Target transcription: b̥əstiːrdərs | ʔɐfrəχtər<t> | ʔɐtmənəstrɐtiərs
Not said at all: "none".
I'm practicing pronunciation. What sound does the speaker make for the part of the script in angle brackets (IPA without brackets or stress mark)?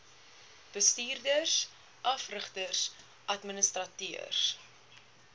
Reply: s